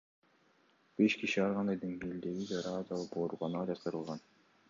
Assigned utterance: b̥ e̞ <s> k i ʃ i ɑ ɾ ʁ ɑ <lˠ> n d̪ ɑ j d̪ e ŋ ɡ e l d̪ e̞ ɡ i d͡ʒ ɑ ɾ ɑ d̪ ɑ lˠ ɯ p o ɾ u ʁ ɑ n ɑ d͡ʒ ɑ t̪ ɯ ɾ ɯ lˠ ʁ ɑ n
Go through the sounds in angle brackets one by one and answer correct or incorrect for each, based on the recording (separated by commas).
incorrect, incorrect